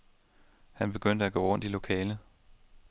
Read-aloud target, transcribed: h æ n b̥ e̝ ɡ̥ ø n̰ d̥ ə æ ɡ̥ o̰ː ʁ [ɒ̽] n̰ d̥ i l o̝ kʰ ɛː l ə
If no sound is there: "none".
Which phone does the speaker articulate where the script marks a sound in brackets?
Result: ɔ̽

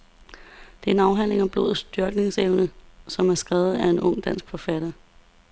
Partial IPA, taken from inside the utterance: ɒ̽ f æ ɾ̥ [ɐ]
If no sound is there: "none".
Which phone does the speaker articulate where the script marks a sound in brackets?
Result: ɐ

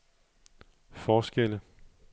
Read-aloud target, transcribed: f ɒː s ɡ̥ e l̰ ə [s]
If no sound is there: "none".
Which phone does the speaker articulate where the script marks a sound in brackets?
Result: none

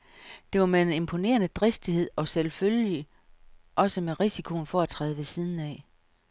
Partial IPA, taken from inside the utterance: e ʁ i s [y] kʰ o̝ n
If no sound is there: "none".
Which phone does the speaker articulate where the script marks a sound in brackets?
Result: i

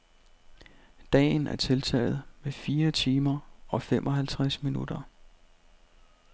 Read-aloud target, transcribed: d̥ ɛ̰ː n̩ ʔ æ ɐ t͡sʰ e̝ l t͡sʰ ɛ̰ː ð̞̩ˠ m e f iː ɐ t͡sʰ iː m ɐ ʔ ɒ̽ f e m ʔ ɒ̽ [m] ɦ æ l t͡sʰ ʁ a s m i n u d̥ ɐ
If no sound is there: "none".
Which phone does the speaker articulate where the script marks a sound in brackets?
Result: none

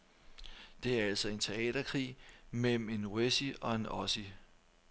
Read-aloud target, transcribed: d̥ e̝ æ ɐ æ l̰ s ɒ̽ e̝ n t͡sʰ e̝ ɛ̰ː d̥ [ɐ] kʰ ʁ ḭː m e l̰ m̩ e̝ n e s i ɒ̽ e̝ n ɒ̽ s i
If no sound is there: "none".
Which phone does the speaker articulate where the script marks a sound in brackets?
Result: ɐ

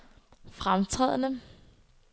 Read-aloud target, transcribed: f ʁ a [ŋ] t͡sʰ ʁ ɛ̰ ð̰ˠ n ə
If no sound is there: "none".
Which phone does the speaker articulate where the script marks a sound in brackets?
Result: m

